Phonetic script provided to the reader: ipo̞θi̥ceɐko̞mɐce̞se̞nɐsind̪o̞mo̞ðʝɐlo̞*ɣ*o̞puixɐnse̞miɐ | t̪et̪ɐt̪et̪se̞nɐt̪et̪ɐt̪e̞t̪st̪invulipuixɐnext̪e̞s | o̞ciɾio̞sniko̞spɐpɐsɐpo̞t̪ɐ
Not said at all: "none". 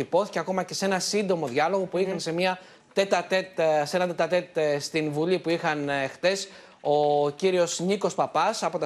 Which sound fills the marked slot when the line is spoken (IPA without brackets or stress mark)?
ɣ